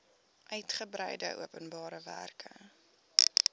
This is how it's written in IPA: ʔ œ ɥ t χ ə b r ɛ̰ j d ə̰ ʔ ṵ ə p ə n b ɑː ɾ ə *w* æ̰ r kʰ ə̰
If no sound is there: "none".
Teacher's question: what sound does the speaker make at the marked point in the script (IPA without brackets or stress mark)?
v